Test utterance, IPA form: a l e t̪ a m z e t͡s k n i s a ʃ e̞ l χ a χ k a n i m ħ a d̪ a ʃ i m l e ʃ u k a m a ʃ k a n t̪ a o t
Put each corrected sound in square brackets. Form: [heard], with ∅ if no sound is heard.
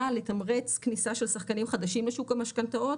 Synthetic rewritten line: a l e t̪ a m [ʁ] e t͡s k n i s a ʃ e̞ l [s] a χ k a n i m [χ] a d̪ a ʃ i m l e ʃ u k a m a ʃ k a n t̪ a o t